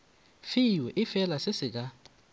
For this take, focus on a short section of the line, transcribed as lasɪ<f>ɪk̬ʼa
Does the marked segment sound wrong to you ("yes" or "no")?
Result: yes